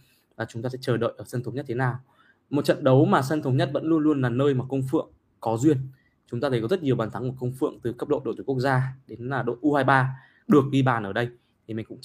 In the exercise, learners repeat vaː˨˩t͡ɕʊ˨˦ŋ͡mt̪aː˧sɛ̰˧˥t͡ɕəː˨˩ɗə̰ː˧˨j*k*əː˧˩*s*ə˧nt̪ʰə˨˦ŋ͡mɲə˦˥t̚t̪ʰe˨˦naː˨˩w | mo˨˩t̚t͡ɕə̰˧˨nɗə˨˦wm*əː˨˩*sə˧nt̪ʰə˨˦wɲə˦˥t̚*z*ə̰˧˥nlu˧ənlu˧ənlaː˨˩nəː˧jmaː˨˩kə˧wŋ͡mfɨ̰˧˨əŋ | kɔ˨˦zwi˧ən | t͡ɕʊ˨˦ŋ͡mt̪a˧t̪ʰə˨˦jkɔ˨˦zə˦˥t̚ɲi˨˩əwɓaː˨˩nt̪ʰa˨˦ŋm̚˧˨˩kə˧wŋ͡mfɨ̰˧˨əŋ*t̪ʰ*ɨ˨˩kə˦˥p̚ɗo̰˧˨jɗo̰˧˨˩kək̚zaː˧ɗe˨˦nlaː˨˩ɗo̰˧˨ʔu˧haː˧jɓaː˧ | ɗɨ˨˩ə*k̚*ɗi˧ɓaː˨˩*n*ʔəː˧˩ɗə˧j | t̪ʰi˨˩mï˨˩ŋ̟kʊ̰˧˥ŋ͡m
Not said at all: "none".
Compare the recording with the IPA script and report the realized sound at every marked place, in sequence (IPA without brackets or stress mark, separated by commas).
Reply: ʔ, s, aː˨˩, v, t̪, k̚, n